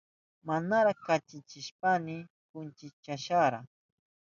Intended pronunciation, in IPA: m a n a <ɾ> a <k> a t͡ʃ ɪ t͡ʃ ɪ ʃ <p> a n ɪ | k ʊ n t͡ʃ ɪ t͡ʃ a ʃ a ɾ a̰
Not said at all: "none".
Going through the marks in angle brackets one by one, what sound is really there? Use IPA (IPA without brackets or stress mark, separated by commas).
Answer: ɾ, k, p